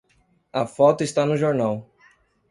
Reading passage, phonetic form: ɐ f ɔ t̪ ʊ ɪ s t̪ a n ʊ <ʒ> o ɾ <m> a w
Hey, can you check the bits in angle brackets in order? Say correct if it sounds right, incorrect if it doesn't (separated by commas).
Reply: correct, incorrect